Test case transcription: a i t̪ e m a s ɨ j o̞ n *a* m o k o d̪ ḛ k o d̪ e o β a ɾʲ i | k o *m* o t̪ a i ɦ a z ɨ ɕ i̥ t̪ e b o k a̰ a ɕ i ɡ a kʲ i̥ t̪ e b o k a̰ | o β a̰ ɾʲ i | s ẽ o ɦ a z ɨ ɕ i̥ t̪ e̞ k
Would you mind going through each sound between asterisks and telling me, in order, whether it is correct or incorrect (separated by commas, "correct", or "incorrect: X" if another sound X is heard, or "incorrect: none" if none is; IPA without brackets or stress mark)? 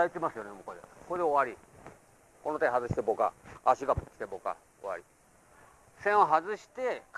incorrect: e, incorrect: n